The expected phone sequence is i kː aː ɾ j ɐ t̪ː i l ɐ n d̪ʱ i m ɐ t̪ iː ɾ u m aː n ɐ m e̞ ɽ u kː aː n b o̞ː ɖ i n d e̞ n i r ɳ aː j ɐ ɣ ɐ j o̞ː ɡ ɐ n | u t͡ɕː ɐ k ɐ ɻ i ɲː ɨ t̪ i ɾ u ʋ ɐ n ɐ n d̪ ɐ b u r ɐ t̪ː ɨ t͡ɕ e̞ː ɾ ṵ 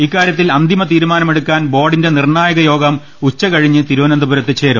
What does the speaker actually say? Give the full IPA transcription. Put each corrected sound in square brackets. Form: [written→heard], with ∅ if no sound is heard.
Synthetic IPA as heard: i kː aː ɾ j ɐ t̪ː i l ɐ n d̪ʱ i m ɐ t̪ iː ɾ u m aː n ɐ m e̞ ɽ u kː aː n b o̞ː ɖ i n d e̞ n i r ɳ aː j ɐ ɣ ɐ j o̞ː ɡ ɐ [n→m] | u t͡ɕː ɐ k ɐ ɻ i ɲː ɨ t̪ i ɾ u ʋ ɐ n ɐ n d̪ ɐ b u [r→ɾ] ɐ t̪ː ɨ t͡ɕ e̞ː ɾ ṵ